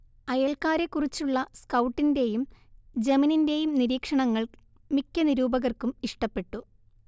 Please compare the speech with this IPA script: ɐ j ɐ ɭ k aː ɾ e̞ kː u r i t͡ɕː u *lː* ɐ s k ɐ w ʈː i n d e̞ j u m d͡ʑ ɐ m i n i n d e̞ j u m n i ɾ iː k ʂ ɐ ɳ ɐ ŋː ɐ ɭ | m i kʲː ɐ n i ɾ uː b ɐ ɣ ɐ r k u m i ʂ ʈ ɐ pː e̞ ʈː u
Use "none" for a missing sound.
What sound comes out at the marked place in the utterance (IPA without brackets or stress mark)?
ɭː